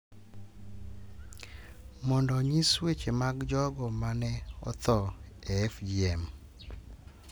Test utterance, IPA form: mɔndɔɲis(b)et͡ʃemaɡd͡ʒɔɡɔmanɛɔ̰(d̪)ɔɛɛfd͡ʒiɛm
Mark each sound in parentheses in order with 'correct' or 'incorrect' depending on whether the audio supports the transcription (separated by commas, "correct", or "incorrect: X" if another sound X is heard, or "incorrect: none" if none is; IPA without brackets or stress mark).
incorrect: w, incorrect: t̪